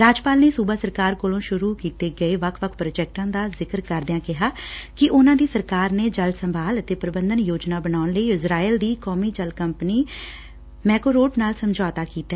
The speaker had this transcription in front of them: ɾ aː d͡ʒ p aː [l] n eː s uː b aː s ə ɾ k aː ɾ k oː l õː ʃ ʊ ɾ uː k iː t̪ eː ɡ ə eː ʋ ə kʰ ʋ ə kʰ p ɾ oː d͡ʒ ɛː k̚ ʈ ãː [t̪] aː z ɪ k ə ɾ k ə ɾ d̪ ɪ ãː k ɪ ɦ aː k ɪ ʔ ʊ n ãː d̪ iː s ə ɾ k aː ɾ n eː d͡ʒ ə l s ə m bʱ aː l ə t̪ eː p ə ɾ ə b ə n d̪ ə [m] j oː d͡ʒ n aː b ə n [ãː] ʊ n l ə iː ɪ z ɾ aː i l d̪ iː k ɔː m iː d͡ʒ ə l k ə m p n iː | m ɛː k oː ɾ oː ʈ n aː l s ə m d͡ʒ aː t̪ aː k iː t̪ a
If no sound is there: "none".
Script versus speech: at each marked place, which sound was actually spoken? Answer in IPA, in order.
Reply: l, d̪, n, aː

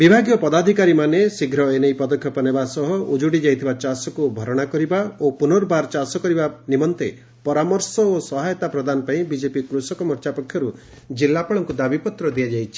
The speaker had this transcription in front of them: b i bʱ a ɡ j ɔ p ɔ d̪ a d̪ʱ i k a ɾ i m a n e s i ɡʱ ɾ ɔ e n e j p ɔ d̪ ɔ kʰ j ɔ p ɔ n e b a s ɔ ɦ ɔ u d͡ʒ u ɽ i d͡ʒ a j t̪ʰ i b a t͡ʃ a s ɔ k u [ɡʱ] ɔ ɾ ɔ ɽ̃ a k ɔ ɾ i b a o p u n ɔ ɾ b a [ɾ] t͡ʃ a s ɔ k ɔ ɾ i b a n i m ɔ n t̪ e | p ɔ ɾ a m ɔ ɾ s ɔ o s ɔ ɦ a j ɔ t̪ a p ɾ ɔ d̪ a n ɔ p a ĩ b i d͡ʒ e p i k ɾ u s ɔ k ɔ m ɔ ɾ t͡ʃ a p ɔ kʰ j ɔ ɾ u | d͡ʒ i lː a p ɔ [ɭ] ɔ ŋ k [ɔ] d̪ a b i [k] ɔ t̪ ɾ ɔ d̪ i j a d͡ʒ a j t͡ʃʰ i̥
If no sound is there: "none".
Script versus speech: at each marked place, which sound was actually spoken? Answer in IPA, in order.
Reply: bʱ, ɾ, ɭ, u, p

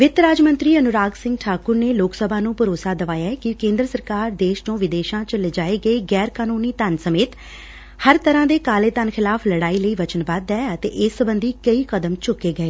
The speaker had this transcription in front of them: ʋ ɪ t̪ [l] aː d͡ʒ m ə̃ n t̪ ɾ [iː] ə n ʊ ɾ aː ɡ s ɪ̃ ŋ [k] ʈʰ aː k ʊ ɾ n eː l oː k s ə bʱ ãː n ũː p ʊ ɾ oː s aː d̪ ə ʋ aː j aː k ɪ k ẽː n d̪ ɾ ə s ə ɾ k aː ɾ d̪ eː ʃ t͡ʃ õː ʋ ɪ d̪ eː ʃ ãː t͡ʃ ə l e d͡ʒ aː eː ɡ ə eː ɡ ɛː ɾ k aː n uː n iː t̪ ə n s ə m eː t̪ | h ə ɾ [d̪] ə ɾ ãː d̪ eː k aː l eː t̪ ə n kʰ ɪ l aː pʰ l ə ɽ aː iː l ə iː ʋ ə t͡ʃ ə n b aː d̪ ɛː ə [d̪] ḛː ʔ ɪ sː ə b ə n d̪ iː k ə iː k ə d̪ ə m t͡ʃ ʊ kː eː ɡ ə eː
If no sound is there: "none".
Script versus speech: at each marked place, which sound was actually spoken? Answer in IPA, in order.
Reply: ɾ, iː, ɡ, t̪, t̪

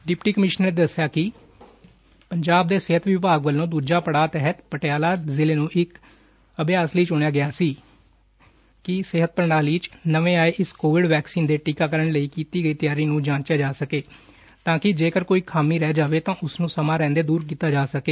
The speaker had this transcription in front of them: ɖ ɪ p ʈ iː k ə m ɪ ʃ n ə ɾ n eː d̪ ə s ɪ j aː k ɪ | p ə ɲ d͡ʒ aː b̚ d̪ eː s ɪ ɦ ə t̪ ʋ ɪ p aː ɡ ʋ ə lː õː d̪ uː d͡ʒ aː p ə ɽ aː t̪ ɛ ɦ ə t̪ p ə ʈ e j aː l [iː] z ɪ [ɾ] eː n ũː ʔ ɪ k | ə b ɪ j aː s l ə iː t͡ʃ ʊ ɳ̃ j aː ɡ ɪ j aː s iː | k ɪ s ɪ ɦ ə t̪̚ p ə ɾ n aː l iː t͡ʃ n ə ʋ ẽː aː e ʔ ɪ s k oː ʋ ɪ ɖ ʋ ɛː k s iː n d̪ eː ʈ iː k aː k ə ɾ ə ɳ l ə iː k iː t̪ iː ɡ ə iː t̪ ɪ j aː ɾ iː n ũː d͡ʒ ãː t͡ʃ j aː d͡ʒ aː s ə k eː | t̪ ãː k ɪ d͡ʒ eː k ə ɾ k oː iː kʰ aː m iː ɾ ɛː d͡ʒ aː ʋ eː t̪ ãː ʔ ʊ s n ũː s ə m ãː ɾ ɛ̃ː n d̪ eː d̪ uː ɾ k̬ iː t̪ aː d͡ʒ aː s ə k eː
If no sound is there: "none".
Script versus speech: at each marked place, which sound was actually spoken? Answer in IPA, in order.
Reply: aː, l

